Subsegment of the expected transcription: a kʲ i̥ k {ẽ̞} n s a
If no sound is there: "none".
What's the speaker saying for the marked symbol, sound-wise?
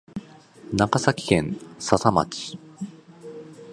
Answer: ẽ̞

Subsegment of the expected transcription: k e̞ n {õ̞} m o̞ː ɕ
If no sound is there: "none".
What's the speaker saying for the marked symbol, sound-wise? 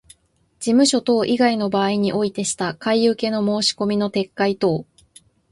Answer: o̞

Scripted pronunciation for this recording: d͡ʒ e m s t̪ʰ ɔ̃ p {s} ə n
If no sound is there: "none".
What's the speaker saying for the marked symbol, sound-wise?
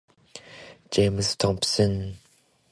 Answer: s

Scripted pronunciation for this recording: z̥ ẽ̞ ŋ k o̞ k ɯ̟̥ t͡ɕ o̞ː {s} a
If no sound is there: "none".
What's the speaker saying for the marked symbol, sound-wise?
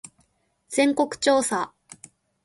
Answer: s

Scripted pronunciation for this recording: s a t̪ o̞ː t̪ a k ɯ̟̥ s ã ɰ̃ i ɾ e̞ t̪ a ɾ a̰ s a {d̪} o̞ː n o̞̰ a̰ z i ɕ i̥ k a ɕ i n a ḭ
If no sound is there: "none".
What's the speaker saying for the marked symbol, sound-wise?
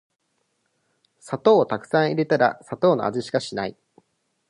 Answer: t̪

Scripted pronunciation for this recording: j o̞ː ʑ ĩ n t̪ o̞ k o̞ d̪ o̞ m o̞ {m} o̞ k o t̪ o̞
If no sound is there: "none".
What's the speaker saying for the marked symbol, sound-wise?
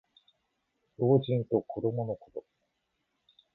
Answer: n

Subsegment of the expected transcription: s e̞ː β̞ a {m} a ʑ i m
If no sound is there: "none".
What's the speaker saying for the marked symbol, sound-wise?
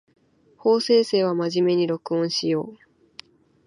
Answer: m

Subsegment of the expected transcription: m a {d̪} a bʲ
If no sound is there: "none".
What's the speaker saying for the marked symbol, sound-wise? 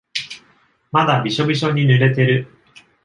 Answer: d̪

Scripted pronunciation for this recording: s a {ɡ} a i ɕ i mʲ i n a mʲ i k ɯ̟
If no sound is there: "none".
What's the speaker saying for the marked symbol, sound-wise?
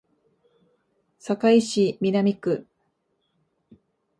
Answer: k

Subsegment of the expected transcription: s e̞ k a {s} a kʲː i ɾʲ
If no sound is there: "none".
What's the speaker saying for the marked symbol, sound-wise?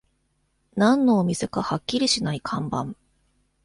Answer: h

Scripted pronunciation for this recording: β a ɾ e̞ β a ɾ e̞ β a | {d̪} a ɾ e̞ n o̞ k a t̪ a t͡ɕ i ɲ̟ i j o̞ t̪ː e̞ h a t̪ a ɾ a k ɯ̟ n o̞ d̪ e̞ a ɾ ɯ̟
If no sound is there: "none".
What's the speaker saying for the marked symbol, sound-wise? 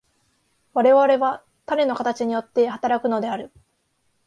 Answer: t̪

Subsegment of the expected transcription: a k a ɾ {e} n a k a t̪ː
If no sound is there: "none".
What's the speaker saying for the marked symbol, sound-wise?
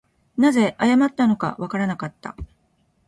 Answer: a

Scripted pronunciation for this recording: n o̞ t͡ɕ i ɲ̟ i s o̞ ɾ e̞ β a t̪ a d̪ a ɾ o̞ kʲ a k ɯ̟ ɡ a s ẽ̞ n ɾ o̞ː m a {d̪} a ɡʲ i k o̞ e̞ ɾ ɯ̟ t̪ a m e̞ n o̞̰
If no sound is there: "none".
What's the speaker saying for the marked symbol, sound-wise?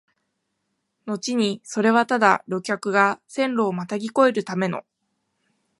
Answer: t̪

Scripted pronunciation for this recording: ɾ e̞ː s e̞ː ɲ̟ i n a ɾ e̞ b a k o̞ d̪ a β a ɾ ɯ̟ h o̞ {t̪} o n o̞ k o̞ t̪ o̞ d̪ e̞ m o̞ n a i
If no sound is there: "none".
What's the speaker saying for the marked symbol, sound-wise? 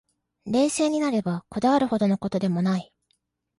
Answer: d̪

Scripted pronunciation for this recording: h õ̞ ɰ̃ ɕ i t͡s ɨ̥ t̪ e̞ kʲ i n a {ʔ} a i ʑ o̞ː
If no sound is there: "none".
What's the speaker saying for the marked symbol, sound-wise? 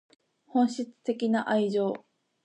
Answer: ʔ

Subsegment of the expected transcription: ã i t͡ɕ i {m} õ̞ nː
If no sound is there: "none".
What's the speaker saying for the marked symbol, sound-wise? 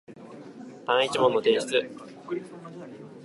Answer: m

